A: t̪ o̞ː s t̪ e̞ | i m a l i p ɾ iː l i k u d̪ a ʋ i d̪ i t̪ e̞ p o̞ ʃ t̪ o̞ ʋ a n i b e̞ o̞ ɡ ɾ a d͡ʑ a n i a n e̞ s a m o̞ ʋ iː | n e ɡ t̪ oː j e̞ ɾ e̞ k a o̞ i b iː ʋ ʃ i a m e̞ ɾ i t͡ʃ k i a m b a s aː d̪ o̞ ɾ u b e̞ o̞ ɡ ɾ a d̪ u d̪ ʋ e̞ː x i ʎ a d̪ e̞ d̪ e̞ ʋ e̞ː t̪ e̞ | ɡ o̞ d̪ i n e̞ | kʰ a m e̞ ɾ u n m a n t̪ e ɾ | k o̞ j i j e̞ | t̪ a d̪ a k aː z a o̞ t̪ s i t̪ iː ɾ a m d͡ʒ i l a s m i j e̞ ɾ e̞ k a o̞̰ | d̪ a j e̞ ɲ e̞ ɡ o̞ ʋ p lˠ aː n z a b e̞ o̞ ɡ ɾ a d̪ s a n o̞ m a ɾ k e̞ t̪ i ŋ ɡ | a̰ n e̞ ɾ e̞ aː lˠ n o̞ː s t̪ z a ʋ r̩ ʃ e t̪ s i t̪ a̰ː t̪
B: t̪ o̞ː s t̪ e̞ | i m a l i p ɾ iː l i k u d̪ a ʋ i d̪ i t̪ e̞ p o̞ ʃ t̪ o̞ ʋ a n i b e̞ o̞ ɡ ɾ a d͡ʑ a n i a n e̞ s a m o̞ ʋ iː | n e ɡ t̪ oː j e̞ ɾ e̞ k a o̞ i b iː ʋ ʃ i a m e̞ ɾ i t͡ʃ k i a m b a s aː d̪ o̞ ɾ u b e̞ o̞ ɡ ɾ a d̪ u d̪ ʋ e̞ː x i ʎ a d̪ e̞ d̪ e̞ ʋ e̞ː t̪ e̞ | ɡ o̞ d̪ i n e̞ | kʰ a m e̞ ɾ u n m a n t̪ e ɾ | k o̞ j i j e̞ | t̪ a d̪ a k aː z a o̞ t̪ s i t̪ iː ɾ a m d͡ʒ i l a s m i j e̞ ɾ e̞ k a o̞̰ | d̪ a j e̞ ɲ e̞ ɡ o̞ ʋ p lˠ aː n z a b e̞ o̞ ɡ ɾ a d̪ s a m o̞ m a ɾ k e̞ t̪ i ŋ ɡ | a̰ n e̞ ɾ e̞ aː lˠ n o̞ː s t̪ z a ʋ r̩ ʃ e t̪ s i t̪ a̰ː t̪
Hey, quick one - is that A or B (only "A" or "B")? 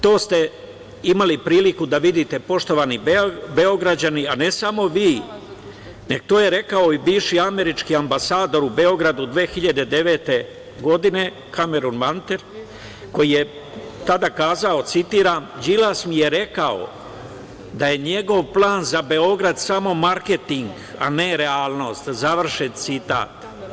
B